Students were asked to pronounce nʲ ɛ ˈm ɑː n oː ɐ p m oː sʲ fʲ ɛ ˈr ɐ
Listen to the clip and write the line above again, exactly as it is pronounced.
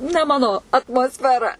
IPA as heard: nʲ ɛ ˈm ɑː n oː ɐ t m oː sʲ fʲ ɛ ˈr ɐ